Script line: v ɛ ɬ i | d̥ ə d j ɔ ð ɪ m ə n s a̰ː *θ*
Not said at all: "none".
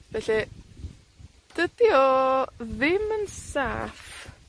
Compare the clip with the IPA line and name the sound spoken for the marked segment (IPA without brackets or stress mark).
f